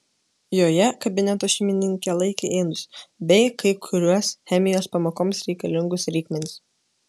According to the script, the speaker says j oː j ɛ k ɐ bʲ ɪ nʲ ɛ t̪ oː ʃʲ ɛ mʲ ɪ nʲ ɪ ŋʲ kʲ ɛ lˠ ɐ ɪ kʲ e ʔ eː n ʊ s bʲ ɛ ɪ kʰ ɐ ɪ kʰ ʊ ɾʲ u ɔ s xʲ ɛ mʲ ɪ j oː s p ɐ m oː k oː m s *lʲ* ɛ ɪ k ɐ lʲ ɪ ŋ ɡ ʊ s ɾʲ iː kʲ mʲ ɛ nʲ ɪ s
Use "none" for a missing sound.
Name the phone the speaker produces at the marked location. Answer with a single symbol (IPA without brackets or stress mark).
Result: ɾʲ